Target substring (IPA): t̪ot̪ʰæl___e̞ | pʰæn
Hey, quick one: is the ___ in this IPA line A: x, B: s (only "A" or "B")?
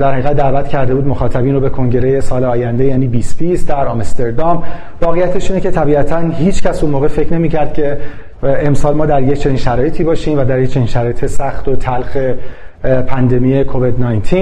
A